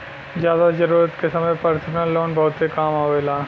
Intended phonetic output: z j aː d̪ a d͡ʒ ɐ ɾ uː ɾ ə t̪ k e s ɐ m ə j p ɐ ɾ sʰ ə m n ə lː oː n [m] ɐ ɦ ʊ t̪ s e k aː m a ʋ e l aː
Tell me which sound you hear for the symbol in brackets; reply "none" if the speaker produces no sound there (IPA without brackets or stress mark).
b